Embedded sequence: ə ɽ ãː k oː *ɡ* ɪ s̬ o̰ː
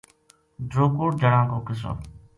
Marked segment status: incorrect: k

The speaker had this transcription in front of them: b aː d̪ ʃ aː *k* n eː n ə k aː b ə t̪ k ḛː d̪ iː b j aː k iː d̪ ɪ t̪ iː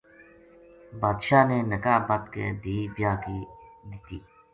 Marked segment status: incorrect: none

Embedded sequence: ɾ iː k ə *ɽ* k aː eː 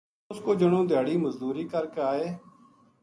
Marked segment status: incorrect: ɾ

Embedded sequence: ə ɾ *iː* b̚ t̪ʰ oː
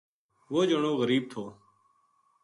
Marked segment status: correct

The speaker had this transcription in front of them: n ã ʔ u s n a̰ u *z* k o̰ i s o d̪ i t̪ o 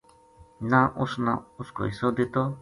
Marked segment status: incorrect: s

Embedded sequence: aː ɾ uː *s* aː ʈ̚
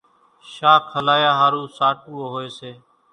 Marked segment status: correct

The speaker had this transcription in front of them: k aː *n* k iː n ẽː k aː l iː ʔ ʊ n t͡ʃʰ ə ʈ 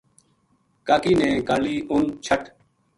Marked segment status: incorrect: none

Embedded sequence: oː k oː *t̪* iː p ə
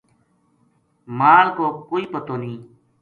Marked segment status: incorrect: none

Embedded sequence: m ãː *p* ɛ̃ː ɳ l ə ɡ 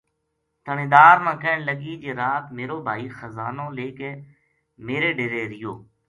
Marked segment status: incorrect: k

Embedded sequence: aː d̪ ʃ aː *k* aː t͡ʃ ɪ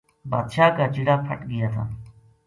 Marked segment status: correct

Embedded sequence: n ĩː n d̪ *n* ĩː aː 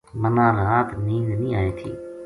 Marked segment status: correct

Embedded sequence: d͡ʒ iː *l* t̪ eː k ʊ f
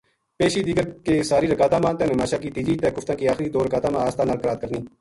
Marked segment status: incorrect: none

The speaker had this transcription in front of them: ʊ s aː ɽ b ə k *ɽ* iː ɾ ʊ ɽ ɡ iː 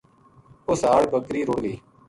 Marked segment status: incorrect: ɾ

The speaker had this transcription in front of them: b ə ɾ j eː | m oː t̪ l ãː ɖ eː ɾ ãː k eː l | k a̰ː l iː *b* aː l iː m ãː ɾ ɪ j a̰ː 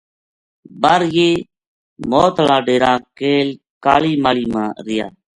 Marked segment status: incorrect: m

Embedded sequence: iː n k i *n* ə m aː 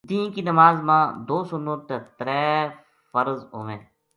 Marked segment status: correct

